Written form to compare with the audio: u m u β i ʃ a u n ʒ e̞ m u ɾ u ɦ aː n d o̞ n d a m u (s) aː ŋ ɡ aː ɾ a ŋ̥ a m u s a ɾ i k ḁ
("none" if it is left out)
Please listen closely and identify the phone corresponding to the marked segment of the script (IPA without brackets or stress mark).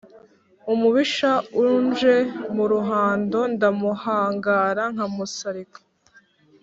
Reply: h